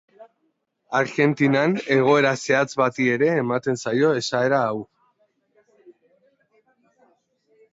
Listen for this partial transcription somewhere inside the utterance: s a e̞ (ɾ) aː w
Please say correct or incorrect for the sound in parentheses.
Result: correct